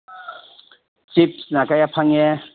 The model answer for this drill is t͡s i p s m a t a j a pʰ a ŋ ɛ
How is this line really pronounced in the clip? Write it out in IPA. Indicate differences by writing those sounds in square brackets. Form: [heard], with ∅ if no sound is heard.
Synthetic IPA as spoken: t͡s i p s [n] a [k] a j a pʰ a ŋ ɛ